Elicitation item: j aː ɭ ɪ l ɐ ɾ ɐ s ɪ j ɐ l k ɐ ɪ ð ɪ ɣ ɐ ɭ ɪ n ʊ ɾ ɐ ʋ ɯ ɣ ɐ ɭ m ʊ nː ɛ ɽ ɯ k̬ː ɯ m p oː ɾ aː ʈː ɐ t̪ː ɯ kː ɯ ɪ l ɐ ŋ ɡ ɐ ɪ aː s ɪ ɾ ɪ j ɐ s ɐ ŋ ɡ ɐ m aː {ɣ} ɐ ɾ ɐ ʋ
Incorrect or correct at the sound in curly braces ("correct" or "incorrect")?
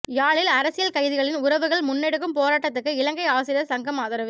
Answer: incorrect